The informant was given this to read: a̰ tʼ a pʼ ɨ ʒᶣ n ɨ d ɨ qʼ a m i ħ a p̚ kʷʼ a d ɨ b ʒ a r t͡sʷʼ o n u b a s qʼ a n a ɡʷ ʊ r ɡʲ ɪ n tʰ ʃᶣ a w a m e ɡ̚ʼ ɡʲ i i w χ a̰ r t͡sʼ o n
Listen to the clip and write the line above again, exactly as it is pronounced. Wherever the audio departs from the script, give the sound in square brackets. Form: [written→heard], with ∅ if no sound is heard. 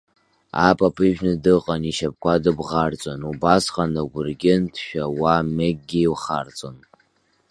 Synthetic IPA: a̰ [tʼ→pʼ] a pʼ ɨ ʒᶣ n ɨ d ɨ qʼ a [m→n] i [ħ→ʃ] a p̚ [kʷʼ→kʷ] a d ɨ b [ʒ→ʁ] a r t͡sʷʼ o n u b a s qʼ a n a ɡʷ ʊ r ɡʲ ɪ n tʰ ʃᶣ a w a m e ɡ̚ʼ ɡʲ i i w χ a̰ r t͡sʼ o n